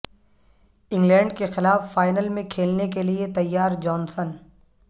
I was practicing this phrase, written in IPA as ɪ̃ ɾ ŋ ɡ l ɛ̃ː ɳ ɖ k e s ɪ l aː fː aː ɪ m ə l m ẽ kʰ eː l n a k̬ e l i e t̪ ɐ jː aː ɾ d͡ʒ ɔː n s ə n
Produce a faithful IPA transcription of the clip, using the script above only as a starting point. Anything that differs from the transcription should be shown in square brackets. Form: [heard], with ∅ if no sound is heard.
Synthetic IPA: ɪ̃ [∅] ŋ ɡ l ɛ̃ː ɳ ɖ k e [x] ɪ l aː fː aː ɪ [n] ə l m ẽ kʰ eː l n [e] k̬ e l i e t̪ ɐ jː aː ɾ d͡ʒ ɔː n s ə n